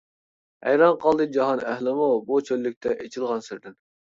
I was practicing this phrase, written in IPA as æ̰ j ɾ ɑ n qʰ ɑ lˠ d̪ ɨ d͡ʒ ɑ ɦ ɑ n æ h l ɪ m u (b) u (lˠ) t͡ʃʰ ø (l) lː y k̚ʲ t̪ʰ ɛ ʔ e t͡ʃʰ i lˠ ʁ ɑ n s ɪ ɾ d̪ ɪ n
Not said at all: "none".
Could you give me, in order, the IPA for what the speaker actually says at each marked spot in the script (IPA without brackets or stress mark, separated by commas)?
b, none, l